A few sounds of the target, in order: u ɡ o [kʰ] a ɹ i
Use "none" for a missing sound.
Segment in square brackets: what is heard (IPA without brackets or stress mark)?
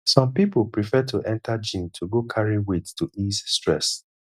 kʰ